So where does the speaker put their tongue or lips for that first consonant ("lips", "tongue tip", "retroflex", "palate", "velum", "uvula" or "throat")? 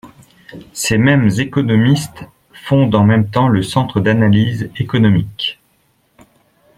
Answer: tongue tip